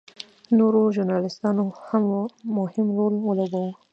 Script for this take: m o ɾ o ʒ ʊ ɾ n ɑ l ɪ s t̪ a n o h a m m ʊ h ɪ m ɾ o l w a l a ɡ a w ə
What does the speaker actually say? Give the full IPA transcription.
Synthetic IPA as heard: n o ɾ o ʒ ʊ ɾ n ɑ l ɪ s t̪ ɑ n o h a m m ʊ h ɪ m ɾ o l w ə l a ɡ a w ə